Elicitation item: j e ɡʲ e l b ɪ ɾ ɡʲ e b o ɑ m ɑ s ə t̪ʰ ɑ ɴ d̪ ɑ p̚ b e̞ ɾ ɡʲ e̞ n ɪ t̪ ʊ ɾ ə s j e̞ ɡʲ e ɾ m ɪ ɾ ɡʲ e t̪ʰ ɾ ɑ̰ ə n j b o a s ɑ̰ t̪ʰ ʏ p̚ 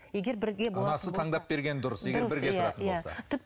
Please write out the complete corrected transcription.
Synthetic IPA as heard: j e ɡʲ e ɾ b ɪ ɾ ɡʲ e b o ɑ n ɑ s ə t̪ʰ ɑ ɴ d̪ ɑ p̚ b e̞ ɾ ɡʲ e̞ n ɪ d̪ ʊ ɾ ə s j e̞ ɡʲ e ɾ b ɪ ɾ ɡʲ e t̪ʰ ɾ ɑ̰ ə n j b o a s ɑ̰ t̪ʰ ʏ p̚